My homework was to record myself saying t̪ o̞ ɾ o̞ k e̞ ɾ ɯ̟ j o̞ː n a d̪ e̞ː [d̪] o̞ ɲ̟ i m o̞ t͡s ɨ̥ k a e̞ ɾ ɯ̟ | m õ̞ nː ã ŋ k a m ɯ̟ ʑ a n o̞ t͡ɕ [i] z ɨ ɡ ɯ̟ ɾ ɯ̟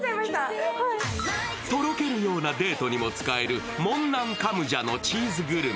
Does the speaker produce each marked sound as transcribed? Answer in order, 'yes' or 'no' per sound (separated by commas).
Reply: no, no